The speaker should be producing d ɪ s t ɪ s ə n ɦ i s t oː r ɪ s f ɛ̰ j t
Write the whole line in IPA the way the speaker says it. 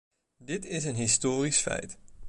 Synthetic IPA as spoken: d ɪ t ɪ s ə n ɦ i s t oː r i s f ɛ̰ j t